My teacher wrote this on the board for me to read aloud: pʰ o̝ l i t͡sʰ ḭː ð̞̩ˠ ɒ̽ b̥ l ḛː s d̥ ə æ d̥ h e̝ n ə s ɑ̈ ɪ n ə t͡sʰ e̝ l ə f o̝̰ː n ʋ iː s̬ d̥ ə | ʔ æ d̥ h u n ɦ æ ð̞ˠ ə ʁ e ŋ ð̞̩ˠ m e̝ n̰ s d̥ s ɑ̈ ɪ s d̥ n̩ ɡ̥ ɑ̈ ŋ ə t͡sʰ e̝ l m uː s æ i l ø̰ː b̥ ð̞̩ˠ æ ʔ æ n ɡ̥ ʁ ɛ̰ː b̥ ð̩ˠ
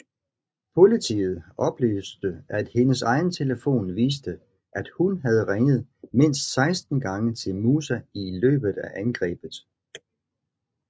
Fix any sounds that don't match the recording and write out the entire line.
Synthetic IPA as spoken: pʰ o̝ l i t͡sʰ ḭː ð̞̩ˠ ɒ̽ b̥ l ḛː s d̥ ə æ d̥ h e̝ n ə s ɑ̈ ɪ n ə t͡sʰ e̝ l ə f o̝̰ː n ʋ iː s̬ d̥ ə | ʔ æ d̥ h u n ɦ æ ð̞ˠ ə ʁ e ŋ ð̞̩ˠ m e̝ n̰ s d̥ s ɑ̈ ɪ s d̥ n̩ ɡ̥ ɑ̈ ŋ ə t͡sʰ e̝ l m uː s æ i l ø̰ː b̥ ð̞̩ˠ æ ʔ æ n ɡ̥ ʁ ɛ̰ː b̥ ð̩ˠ